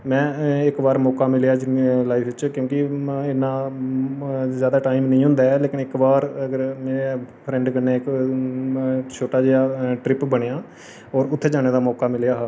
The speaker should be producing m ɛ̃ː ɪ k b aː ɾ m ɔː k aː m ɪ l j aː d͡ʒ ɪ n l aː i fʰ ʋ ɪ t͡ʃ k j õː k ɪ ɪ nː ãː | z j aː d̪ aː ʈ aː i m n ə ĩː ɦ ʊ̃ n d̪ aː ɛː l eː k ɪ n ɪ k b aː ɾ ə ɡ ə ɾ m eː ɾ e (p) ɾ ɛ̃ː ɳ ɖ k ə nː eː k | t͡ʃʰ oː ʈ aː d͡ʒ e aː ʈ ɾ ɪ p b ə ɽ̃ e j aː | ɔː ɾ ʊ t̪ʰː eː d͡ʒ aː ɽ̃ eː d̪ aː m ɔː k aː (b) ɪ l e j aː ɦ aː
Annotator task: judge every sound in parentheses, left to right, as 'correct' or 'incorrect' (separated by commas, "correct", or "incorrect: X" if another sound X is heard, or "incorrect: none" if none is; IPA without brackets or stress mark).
incorrect: pʰ, incorrect: m